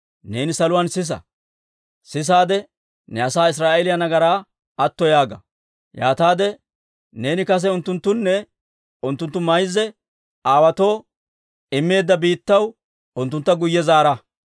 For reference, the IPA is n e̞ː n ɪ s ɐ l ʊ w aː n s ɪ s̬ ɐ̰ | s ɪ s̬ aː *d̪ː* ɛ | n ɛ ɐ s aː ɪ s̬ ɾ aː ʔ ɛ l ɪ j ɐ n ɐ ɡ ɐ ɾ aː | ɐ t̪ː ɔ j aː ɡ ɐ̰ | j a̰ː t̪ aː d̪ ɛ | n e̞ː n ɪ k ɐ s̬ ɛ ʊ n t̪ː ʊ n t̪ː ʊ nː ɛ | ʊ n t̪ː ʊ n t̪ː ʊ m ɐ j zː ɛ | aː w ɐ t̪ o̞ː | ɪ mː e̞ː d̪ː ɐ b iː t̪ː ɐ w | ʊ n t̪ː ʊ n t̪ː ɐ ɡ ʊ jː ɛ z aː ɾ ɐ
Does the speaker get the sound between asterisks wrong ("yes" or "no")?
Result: yes